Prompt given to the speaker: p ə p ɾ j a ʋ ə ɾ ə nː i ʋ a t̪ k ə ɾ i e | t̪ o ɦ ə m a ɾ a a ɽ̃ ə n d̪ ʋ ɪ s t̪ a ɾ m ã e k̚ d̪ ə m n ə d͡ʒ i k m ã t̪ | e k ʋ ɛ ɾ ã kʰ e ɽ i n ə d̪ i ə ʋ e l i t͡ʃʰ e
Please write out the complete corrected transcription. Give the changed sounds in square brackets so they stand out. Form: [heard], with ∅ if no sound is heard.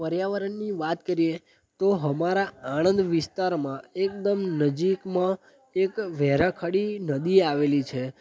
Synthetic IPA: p ə [∅] ɾ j a ʋ ə ɾ ə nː i ʋ a t̪ k ə ɾ i e | t̪ o ɦ ə m a ɾ a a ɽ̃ ə n d̪ ʋ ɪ s t̪ a ɾ m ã e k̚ d̪ ə m n ə d͡ʒ i k m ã [∅] | e k ʋ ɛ ɾ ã kʰ [a] ɽ i n ə d̪ i [a] ʋ e l i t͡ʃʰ e